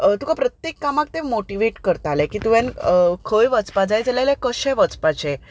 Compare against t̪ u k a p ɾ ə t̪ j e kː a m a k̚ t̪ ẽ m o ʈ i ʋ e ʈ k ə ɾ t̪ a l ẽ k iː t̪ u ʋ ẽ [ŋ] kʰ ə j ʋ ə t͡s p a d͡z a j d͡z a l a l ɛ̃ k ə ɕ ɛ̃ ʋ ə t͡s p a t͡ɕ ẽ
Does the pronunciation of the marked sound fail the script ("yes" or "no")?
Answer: yes